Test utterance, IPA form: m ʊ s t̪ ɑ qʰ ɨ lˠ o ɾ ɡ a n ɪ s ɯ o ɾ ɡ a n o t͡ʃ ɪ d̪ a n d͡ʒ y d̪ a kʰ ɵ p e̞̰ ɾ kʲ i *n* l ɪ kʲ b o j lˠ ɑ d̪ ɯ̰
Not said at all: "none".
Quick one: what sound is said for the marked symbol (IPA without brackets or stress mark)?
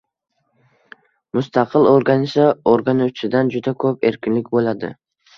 n